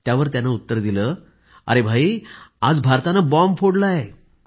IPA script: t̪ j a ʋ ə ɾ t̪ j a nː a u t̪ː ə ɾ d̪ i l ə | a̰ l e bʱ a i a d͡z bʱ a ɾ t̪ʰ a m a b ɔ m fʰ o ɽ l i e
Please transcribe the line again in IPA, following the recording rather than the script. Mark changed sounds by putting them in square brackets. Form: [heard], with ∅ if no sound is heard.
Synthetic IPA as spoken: t̪ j a ʋ ə ɾ t̪ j a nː a u t̪ː ə ɾ d̪ i l ə | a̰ [ɾ] e bʱ a i a d͡z bʱ a ɾ [t̪] a [n] a b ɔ m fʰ o ɽ l [a] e